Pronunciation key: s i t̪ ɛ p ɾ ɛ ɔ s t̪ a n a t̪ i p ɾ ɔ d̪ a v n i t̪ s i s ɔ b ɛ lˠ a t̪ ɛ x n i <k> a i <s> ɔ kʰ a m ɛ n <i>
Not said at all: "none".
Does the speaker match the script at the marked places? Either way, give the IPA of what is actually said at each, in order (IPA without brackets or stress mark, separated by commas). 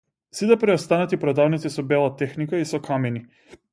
k, s, i